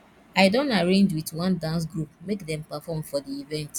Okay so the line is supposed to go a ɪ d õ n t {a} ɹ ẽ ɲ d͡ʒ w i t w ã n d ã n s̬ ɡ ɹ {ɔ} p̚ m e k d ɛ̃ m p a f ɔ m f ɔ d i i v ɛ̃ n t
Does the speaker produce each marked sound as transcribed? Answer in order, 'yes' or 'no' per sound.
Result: yes, no

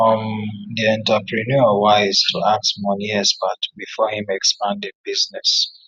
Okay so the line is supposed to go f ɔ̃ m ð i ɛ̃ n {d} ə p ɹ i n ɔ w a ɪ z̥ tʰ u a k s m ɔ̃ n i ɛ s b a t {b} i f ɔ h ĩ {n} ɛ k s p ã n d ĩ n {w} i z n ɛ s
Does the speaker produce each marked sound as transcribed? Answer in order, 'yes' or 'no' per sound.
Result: no, yes, no, no

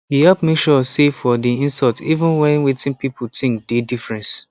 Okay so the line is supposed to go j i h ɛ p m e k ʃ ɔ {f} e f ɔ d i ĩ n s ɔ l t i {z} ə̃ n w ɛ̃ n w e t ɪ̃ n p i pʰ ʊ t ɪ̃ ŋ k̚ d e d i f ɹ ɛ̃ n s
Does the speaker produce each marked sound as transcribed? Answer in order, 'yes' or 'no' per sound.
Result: no, no

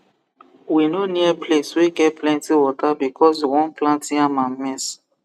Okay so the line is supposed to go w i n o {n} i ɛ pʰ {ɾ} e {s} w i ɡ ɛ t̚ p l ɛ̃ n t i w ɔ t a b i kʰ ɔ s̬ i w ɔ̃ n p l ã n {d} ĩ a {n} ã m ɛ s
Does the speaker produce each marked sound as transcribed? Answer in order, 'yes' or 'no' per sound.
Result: yes, no, yes, no, no

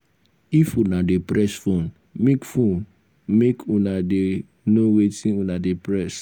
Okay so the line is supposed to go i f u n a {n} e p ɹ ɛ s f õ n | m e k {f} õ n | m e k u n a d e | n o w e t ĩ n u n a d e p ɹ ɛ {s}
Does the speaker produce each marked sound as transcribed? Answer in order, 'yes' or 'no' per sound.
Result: no, yes, yes

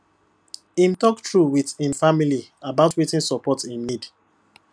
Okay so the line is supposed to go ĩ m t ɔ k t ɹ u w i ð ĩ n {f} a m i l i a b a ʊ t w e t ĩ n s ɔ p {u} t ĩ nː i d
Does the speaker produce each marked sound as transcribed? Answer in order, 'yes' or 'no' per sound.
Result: yes, no

